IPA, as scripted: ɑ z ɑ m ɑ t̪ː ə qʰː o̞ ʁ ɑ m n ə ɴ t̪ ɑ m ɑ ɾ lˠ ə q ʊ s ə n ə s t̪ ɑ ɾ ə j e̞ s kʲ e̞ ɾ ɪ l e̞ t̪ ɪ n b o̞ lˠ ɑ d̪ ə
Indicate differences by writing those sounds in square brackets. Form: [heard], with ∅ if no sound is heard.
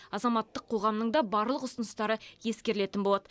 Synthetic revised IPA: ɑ z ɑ m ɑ t̪ː ə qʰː o̞ ʁ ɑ m n ə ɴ [d̪] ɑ [b] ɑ ɾ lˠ ə q ʊ s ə n ə s t̪ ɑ ɾ ə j e̞ s kʲ e̞ ɾ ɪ l e̞ t̪ ɪ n b o̞ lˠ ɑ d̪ ə